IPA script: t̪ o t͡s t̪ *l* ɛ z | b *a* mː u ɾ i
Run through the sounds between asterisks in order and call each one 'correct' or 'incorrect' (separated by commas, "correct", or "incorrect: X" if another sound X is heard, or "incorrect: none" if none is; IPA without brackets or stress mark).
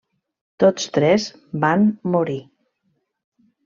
incorrect: ɾ, correct